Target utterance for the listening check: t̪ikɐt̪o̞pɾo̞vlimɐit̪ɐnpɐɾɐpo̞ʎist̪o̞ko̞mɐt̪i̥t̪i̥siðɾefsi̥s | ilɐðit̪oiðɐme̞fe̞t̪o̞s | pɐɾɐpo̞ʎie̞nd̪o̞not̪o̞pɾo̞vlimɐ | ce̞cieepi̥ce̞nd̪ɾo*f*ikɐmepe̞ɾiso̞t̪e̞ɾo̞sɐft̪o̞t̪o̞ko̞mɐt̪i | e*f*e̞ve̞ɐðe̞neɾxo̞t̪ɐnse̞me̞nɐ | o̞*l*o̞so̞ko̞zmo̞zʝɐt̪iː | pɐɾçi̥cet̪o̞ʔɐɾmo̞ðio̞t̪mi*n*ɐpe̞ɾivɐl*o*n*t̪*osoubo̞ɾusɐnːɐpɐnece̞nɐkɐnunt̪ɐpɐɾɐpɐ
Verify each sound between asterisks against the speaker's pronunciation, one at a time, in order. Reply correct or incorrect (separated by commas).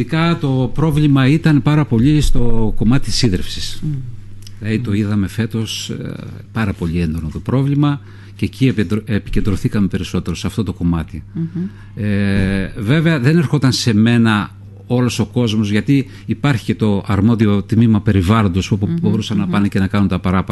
incorrect, incorrect, correct, incorrect, correct, incorrect